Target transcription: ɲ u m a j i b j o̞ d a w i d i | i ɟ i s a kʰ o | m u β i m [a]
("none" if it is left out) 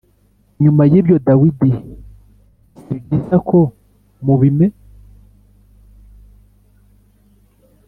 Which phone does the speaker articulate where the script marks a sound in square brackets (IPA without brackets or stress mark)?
e